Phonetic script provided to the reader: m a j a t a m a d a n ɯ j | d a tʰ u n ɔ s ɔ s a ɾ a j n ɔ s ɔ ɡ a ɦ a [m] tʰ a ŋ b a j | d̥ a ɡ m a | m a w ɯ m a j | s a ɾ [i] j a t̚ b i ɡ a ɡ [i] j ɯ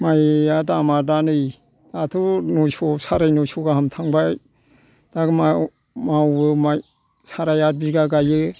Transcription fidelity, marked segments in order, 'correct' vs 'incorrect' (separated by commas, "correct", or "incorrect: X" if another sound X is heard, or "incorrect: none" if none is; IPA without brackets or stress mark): correct, incorrect: a, incorrect: a